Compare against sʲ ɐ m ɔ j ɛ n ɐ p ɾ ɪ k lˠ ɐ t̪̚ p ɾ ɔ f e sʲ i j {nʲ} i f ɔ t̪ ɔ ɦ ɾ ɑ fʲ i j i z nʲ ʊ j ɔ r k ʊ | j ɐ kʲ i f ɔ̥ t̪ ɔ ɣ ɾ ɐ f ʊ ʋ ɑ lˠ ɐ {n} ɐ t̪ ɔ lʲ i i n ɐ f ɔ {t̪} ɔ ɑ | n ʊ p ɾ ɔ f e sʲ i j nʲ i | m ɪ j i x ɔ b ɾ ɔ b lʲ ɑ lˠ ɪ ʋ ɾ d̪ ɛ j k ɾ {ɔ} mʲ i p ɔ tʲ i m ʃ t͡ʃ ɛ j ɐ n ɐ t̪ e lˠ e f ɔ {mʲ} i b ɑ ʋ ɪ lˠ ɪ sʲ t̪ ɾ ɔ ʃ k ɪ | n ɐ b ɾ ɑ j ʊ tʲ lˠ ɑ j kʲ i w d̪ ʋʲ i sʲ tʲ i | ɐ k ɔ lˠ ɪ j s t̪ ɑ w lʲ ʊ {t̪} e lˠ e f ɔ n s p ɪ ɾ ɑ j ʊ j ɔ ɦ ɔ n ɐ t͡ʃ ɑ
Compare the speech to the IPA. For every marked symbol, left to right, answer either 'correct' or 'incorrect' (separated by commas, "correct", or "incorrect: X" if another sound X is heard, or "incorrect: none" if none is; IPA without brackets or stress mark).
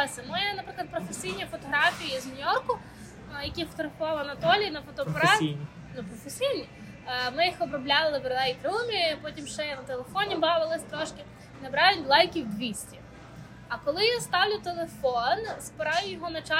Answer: correct, correct, correct, incorrect: u, incorrect: nʲ, correct